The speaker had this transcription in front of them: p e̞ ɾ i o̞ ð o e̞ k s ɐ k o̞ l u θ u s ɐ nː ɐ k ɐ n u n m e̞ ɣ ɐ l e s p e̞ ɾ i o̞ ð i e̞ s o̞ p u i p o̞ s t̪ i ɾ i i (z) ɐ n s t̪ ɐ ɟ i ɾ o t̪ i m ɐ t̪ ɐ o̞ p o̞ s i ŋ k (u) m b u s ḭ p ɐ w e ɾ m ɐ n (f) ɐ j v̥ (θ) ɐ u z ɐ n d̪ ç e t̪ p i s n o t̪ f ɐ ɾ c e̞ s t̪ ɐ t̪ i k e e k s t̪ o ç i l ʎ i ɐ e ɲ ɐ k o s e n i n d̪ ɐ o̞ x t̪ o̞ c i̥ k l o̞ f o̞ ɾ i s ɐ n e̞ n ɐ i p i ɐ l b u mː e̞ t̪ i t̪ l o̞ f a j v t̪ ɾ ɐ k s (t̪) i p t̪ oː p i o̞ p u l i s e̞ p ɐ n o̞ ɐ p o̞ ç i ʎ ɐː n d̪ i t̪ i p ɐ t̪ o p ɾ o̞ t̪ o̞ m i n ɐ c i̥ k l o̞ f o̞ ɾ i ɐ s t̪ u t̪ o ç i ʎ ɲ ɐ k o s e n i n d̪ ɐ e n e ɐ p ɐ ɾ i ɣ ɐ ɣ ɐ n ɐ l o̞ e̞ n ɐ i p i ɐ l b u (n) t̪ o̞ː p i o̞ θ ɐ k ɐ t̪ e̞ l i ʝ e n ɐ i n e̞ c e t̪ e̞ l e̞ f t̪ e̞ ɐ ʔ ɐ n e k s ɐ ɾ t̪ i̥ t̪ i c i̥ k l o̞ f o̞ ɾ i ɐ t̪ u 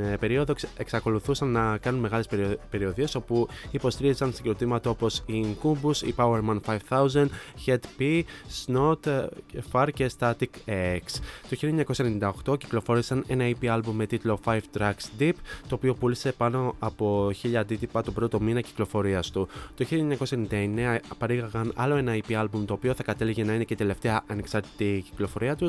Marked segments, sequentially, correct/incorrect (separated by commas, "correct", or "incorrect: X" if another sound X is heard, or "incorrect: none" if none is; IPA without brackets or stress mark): correct, correct, correct, correct, incorrect: d̪, incorrect: m